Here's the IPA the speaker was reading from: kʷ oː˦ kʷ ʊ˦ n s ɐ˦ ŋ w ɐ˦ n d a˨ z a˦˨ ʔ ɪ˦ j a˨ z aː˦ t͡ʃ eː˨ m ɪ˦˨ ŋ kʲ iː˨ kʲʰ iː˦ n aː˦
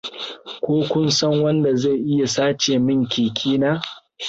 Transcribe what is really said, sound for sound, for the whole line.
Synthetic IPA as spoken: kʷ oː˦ kʷ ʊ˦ n s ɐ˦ ŋ w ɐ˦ n d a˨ z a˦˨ ʔ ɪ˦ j a˨ s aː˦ t͡ʃ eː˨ m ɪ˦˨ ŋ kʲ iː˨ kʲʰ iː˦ n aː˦